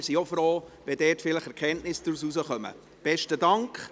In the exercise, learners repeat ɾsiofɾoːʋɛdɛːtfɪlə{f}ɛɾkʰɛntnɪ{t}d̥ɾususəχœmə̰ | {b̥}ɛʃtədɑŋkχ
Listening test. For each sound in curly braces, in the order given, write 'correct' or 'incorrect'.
incorrect: χ, incorrect: s, correct

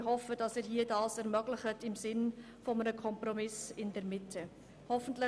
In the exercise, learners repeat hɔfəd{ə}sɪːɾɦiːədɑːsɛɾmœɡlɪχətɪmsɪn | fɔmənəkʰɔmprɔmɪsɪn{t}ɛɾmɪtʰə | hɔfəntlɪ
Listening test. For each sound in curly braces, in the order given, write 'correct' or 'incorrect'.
incorrect: ɑ, incorrect: d

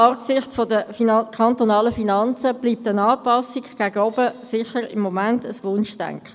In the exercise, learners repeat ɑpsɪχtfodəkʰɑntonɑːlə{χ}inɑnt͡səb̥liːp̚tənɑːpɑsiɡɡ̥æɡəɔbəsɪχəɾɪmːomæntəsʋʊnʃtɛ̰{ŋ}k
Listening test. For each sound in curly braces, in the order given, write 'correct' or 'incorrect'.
incorrect: f, correct

